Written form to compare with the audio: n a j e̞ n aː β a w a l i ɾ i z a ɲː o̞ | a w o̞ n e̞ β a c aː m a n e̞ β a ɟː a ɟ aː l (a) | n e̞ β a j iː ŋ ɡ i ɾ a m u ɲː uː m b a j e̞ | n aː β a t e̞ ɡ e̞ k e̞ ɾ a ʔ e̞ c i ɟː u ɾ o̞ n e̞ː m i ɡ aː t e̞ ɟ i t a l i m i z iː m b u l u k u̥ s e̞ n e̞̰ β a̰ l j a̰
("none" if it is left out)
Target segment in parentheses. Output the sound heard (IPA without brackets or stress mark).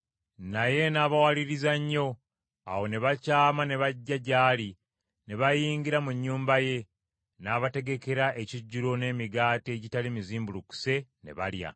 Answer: i